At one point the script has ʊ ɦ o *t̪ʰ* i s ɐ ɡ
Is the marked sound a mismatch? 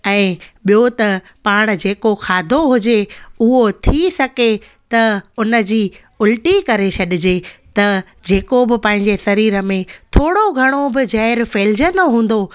no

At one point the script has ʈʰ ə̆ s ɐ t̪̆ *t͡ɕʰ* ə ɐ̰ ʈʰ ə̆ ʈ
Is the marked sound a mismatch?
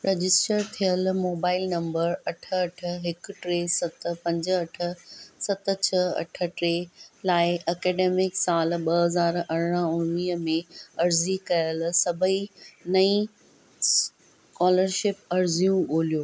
no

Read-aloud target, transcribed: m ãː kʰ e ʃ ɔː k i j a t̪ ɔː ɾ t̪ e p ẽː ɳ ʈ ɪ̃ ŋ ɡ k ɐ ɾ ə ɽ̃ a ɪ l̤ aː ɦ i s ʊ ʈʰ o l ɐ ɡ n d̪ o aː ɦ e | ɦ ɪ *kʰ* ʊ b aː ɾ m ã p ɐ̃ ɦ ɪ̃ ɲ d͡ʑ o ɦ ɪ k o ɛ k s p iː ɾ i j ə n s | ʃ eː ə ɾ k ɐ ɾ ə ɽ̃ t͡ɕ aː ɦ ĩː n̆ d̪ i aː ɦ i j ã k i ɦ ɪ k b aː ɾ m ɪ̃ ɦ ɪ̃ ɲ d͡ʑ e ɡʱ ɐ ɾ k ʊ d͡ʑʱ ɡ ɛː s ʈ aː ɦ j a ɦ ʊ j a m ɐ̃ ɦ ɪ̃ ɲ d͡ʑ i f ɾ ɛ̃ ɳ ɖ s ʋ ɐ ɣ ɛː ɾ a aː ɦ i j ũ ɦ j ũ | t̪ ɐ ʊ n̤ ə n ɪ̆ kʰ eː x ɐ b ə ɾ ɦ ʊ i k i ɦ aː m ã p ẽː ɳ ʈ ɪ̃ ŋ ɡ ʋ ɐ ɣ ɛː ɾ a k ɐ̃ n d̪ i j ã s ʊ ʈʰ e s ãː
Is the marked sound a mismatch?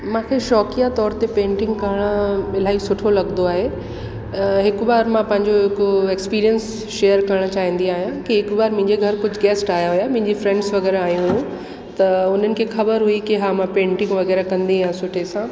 yes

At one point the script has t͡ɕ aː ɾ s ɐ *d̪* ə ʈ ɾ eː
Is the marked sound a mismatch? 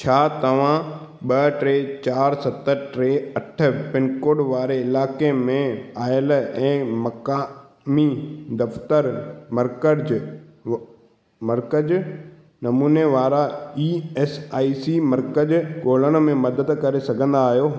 yes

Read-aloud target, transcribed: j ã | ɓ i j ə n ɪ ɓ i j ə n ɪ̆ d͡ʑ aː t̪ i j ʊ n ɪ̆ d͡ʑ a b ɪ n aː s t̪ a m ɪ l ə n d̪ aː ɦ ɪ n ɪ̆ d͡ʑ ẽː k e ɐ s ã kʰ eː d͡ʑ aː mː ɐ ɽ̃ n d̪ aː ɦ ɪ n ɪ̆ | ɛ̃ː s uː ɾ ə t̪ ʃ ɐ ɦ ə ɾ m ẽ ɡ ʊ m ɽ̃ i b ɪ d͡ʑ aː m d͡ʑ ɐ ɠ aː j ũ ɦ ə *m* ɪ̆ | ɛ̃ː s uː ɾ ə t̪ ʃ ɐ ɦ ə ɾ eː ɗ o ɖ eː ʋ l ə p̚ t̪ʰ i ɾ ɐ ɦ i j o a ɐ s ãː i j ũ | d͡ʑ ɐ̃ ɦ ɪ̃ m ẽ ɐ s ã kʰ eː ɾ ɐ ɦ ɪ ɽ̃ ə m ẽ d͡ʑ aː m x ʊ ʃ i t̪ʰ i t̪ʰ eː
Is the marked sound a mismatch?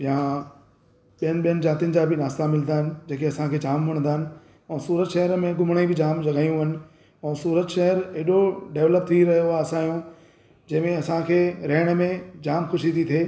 yes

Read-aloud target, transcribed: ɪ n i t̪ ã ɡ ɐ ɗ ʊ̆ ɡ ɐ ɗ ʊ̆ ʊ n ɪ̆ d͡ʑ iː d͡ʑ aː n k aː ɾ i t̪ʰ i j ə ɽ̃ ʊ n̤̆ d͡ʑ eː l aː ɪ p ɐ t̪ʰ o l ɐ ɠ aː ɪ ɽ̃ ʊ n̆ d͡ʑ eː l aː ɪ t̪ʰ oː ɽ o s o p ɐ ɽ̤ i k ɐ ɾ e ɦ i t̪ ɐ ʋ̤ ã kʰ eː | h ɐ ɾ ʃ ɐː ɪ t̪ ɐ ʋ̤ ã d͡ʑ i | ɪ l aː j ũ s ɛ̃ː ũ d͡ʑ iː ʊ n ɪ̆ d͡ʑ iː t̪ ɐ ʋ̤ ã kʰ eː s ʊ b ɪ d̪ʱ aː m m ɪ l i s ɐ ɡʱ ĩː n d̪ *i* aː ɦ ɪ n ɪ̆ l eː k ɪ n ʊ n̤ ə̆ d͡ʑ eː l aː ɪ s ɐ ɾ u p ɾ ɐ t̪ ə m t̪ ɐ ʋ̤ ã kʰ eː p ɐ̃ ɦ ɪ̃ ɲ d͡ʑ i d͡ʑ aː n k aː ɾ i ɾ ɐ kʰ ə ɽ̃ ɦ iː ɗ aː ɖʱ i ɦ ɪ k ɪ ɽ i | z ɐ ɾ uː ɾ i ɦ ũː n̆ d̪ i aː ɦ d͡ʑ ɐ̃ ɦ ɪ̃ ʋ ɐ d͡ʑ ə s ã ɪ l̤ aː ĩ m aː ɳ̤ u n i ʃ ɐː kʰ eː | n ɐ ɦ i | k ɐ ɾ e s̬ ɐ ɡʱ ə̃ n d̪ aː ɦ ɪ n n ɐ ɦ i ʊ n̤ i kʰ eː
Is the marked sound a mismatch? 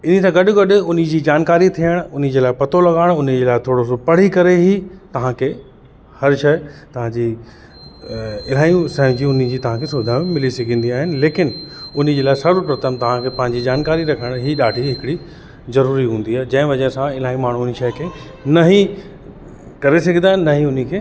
no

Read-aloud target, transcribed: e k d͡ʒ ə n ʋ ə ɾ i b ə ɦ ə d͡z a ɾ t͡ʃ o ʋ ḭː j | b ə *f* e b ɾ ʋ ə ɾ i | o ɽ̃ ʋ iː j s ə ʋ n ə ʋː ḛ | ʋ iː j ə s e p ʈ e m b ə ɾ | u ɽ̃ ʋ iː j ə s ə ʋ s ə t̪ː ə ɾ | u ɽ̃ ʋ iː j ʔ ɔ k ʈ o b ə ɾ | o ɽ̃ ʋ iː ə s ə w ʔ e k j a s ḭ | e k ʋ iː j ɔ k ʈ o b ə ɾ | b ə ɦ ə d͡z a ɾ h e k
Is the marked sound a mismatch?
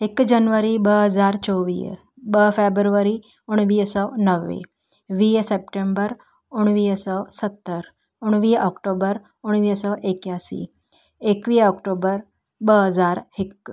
no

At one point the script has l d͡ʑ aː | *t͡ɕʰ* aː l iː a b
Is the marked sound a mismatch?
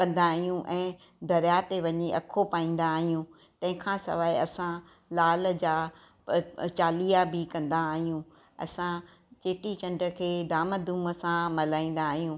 yes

